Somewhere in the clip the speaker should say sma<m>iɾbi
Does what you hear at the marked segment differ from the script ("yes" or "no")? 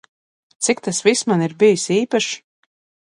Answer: yes